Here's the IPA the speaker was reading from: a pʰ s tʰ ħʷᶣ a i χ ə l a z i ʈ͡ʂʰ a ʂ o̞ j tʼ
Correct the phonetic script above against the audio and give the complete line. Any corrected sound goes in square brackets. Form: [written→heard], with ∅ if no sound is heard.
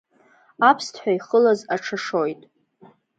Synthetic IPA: a pʰ s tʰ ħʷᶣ a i χ ə l a z [i→a] ʈ͡ʂʰ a ʂ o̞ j tʼ